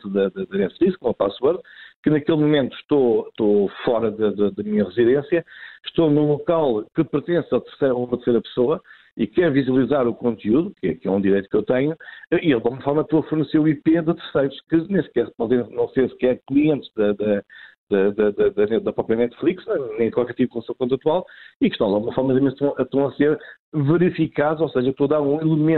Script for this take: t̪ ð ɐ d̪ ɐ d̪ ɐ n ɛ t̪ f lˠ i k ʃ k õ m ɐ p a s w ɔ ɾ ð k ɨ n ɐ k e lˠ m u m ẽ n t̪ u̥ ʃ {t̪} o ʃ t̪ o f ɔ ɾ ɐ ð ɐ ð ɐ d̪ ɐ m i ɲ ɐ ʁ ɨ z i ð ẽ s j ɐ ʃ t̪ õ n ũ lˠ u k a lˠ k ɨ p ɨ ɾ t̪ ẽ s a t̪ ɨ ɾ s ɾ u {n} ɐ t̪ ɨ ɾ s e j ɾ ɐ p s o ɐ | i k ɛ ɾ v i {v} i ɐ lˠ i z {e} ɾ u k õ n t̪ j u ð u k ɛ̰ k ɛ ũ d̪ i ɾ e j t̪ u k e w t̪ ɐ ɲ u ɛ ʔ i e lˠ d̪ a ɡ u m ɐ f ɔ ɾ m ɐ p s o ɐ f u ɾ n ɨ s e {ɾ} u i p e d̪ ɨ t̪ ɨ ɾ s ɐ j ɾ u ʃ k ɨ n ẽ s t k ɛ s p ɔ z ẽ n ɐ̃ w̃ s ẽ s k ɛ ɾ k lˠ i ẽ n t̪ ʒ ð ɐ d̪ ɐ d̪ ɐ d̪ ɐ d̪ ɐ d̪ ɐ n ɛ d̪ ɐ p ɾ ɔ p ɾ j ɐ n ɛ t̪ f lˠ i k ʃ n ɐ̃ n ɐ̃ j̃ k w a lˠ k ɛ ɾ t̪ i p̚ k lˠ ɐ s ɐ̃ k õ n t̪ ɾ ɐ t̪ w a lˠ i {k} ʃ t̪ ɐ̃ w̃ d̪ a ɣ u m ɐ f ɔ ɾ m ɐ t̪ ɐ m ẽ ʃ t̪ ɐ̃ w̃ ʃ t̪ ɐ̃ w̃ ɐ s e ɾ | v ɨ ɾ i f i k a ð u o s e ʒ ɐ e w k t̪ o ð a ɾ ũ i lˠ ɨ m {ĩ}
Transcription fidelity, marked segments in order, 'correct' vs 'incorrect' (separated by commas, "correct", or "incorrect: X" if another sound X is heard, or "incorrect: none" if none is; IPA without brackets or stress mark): correct, incorrect: m, incorrect: z, incorrect: a, correct, correct, incorrect: ẽ